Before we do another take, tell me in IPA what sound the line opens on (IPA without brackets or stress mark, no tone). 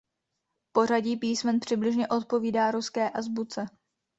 p